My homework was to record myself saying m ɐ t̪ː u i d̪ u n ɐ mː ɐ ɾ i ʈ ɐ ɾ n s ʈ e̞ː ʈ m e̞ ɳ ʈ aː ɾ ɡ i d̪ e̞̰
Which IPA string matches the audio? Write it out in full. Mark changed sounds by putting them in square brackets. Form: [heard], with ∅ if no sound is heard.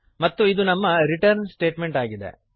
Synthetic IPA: m ɐ t̪ː u i d̪ u n ɐ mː ɐ ɾ i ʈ ɐ ɾ n s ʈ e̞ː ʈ m e̞ ɳ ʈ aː [∅] ɡ i d̪ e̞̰